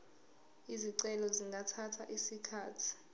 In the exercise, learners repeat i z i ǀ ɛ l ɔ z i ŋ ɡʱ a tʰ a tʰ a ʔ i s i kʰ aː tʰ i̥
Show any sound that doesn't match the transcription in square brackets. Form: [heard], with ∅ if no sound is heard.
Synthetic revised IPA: i z i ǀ ɛ l ɔ z i ŋ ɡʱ a tʰ a tʰ a ʔ i s i kʰ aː tʰ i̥